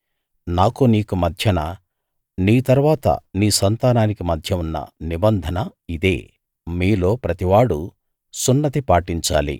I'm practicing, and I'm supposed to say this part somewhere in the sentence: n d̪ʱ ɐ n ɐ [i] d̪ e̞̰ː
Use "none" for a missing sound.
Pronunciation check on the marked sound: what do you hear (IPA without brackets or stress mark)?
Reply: i